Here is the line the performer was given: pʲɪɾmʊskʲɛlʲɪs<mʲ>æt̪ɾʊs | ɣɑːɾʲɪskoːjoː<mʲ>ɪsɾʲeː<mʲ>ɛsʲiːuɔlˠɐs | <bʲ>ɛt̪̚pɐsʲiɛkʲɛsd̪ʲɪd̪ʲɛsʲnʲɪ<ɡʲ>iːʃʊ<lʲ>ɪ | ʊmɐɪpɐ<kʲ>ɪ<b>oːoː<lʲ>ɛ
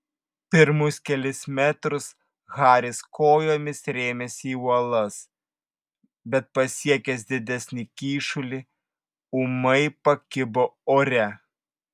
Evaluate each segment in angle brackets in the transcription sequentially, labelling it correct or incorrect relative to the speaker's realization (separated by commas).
correct, correct, correct, correct, incorrect, correct, correct, correct, incorrect